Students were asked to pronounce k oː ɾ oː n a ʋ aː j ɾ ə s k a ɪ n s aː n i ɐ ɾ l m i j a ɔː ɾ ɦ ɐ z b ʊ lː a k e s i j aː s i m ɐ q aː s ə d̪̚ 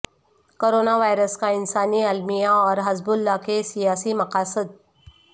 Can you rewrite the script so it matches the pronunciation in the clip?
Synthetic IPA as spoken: k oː ɾ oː n a ʋ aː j ɾ ə s k a ɪ n s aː n i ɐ l m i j a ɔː ɾ ɦ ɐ z b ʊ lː a k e s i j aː s i m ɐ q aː s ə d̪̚